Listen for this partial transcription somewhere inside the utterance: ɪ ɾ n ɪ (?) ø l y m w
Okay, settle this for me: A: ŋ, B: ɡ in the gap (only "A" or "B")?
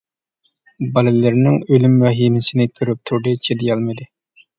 A